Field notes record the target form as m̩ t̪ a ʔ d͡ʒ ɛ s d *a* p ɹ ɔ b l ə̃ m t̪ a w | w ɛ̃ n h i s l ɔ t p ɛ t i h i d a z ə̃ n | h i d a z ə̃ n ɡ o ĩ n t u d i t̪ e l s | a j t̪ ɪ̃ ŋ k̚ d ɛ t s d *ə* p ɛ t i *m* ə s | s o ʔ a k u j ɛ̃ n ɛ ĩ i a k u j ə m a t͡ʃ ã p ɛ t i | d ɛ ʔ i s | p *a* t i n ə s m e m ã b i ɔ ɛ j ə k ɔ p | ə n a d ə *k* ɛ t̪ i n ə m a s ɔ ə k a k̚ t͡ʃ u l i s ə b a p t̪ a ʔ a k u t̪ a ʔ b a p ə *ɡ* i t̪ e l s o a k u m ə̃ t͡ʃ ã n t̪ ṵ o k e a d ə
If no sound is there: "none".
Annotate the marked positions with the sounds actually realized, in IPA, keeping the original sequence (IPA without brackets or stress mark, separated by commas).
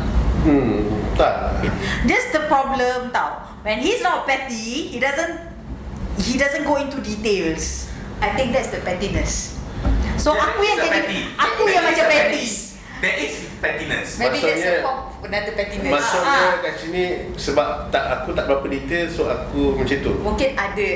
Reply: ə, ə, n, ɛ, p, d